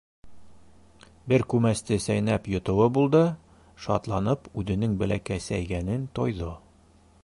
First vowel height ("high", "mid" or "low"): mid